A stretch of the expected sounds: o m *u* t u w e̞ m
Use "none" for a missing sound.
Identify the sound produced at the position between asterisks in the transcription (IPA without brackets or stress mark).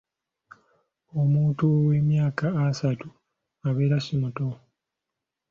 uː